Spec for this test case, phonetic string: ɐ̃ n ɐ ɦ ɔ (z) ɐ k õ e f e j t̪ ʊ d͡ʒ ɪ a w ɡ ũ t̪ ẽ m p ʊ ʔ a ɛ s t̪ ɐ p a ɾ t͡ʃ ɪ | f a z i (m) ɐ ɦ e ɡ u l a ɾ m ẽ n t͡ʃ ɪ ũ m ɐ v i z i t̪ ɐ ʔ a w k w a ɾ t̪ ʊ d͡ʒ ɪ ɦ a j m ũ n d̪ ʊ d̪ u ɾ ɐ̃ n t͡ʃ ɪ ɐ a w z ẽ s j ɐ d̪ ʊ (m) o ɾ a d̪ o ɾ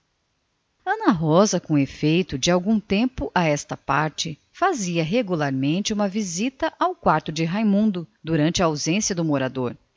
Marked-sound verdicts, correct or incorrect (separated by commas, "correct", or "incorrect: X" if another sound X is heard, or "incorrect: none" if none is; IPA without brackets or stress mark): correct, incorrect: none, correct